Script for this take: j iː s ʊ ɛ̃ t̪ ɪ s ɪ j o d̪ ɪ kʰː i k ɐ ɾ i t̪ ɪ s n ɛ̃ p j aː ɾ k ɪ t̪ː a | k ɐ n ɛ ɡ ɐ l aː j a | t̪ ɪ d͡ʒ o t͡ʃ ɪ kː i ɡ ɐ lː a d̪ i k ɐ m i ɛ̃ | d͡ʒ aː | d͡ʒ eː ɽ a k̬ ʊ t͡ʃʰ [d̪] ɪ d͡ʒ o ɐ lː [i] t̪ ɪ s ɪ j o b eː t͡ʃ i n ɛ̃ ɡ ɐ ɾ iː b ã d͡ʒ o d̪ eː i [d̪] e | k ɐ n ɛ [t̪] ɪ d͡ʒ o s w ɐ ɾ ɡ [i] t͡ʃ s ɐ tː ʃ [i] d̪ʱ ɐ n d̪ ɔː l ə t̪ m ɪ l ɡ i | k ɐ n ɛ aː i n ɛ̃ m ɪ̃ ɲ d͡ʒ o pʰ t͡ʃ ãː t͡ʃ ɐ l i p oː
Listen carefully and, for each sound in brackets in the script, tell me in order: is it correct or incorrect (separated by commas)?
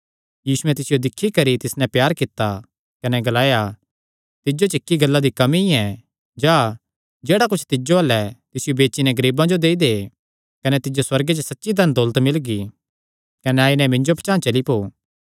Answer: incorrect, incorrect, correct, correct, incorrect, correct